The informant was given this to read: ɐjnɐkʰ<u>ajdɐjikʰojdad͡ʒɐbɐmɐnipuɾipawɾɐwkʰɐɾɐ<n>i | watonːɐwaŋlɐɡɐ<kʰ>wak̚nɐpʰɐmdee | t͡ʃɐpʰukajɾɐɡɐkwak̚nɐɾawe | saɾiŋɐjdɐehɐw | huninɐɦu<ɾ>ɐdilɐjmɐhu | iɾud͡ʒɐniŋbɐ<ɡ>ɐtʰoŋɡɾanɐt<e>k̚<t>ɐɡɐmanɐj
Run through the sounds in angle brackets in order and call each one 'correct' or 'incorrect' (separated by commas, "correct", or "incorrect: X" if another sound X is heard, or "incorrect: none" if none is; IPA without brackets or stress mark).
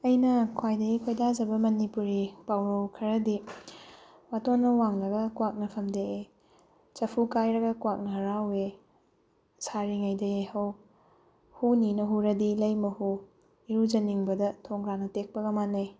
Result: incorrect: w, incorrect: d, incorrect: k, correct, incorrect: d, correct, incorrect: p